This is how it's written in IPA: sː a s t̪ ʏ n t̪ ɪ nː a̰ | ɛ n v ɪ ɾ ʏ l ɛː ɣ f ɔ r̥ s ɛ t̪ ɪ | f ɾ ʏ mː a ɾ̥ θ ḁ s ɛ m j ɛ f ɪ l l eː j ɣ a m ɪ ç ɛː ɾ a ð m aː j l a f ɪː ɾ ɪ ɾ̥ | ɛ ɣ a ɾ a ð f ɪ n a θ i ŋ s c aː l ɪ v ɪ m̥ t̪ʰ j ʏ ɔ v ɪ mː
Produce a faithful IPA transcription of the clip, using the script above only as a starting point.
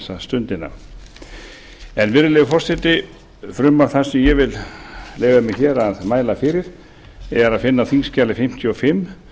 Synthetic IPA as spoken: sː a s t̪ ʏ n t̪ ɪ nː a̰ | ɛ n v ɪ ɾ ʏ l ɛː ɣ f ɔ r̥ s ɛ t̪ ɪ | f ɾ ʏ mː a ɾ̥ θ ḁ s ɛ m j ɛ v ɪ l l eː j ɣ a m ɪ ç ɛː ɾ a ð m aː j l a f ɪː ɾ ɪ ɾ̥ | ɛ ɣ a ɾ a ð f ɪ nː a θ i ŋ s c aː l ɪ f ɪ m̥ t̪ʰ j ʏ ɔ f ɪ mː